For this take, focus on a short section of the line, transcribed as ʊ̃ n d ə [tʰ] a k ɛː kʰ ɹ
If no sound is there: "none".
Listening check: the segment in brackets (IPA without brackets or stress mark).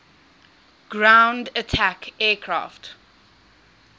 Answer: tʰ